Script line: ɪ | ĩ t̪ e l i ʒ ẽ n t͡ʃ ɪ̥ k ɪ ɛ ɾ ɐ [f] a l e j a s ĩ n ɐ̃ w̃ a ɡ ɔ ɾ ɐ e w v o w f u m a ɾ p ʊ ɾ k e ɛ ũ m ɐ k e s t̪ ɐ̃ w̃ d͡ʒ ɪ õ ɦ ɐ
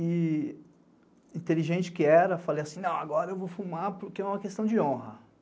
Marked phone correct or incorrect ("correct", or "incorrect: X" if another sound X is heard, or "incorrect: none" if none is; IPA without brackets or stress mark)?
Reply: correct